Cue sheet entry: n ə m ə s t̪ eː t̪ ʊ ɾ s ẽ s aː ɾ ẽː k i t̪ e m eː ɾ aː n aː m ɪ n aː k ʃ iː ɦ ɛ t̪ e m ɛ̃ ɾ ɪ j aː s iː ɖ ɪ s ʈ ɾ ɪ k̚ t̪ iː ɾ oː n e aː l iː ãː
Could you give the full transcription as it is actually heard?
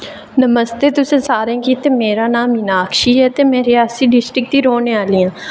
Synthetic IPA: n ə m ə s t̪ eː t̪ ʊ s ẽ s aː ɾ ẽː k i t̪ e m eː ɾ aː n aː m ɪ n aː k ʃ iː ɦ ɛ t̪ e m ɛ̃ ɾ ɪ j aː s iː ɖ ɪ s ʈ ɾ ɪ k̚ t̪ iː ɾ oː n e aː l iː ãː